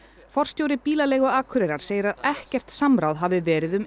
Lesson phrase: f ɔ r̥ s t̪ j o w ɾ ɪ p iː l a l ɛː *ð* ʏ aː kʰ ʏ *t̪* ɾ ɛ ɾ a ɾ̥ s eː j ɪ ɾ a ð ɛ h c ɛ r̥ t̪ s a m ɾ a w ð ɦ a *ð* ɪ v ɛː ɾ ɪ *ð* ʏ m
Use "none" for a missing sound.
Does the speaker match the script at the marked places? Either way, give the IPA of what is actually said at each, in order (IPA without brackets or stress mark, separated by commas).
ɣ, none, v, ð